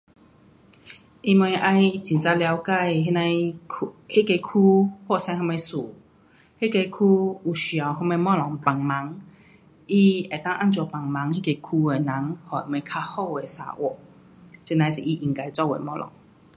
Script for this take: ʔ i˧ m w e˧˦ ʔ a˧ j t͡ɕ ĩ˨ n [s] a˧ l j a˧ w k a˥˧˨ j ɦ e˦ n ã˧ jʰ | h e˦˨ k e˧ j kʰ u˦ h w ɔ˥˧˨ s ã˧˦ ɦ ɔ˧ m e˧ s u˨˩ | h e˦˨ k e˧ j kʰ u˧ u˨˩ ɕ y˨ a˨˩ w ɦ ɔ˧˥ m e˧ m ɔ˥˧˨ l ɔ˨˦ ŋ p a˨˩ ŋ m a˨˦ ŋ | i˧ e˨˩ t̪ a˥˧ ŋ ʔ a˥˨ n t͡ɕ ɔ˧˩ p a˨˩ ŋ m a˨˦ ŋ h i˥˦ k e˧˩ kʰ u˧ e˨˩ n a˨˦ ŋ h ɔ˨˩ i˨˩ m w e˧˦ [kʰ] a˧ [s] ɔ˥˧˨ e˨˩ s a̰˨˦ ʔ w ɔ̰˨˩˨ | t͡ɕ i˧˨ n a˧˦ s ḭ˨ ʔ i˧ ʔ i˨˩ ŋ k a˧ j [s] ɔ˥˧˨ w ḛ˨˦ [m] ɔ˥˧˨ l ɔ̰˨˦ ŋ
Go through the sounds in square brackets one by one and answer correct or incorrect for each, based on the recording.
incorrect, correct, incorrect, incorrect, correct

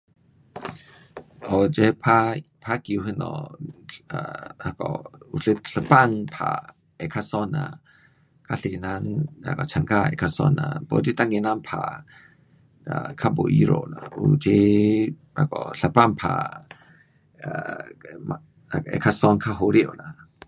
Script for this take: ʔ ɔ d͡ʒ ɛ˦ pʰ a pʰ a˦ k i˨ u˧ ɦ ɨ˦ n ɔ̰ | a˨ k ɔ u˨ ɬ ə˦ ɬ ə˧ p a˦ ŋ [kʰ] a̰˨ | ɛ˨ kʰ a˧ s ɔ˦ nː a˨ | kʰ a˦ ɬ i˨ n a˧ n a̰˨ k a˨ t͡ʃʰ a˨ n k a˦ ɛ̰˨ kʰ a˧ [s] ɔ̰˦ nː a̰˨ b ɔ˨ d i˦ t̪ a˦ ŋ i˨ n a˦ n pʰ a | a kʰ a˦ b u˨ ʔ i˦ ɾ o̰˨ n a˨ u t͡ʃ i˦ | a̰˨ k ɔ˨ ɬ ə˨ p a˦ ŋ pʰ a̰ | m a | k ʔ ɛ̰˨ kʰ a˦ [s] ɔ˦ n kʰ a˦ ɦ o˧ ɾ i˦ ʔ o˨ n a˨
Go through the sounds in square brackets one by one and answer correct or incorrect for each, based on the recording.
incorrect, correct, correct

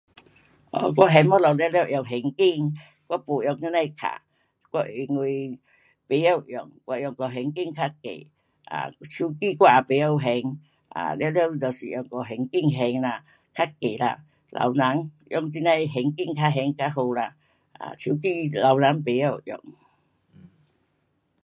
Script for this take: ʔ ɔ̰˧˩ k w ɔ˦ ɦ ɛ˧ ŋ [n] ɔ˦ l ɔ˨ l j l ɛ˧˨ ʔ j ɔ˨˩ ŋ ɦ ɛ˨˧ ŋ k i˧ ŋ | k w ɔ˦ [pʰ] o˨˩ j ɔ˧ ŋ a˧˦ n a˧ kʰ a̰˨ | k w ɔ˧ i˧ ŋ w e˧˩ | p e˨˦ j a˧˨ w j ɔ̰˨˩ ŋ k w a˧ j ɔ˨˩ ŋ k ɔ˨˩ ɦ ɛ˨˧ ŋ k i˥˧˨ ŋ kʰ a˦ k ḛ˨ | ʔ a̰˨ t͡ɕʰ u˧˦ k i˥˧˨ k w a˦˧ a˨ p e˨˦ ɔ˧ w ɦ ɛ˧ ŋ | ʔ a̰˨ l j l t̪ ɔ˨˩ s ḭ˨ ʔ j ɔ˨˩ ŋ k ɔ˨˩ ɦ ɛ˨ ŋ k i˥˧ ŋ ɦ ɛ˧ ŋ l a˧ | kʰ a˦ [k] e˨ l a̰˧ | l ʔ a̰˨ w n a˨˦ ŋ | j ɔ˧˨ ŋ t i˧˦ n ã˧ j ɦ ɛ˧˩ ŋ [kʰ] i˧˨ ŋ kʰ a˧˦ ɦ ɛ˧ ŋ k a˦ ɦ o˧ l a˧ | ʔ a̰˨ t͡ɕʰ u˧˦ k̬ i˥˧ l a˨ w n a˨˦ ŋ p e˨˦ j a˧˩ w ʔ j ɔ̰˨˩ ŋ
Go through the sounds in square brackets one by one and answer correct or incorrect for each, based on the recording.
incorrect, incorrect, correct, incorrect

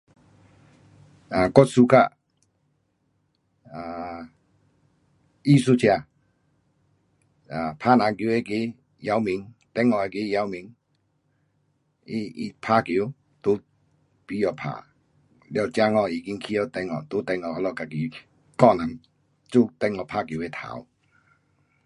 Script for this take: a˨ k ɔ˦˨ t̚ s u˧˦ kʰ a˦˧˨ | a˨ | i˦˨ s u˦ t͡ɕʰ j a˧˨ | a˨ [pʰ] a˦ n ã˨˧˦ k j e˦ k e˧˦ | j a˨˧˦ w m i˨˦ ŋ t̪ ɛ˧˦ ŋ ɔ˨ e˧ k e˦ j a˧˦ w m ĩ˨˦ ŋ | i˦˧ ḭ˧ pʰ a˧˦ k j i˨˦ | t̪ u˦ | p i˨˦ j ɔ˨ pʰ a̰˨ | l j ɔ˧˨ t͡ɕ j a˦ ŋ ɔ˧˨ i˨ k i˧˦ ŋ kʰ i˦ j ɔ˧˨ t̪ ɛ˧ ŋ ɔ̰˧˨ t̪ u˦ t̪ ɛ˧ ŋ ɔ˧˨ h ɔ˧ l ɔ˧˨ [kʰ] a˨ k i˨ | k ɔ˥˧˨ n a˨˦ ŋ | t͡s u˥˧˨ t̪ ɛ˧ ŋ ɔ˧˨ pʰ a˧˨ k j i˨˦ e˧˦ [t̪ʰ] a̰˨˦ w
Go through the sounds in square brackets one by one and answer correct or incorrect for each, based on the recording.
correct, incorrect, correct

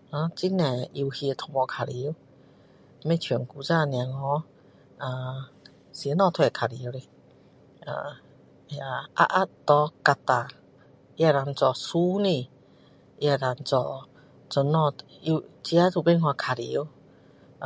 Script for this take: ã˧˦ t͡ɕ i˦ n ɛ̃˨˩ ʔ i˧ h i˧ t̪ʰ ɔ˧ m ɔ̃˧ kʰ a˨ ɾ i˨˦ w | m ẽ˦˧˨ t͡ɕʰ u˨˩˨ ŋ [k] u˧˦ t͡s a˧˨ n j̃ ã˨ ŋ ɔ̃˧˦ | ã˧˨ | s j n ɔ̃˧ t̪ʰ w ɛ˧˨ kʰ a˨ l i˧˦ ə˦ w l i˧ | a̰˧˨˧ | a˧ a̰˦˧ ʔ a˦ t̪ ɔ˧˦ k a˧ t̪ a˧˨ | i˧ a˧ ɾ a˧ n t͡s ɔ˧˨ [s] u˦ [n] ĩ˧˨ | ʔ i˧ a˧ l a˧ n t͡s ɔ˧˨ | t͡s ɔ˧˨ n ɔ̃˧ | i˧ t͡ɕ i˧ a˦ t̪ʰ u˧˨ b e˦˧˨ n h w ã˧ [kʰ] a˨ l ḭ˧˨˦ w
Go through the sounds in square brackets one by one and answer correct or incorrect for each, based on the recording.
correct, correct, correct, correct

